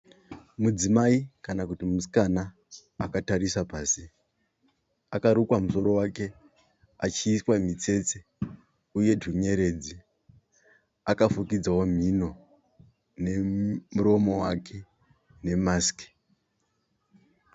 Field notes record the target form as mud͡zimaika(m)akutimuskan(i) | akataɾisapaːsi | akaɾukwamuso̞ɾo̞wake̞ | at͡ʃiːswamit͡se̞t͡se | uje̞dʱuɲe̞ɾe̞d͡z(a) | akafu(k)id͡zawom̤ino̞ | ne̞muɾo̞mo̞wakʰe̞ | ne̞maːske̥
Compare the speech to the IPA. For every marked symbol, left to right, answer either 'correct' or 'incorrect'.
incorrect: n, incorrect: a, incorrect: i, correct

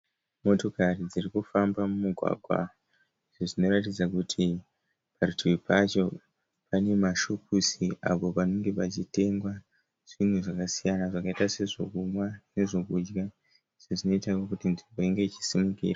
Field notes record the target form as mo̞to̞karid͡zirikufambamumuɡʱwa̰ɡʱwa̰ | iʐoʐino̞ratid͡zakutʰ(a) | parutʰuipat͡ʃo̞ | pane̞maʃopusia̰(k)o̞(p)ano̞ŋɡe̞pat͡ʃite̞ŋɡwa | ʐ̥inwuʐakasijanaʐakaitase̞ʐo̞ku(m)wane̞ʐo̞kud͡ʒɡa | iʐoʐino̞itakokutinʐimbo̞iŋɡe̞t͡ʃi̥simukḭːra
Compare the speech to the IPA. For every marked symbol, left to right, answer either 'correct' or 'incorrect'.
incorrect: i, incorrect: p, correct, correct

